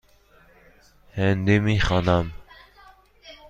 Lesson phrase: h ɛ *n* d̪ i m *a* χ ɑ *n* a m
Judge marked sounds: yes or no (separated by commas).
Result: yes, no, yes